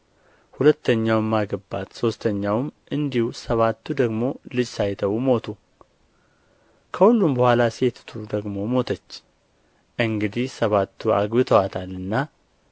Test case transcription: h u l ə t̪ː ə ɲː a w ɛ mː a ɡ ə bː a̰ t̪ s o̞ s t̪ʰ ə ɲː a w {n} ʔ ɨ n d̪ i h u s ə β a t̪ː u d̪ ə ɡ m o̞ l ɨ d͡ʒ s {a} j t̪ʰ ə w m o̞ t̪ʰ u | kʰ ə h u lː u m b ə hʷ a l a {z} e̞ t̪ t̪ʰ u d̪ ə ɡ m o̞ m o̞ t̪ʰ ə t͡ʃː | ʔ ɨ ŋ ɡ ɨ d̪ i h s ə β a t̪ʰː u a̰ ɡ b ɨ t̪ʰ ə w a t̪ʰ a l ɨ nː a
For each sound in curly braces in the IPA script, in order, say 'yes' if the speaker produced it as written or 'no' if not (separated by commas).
no, yes, no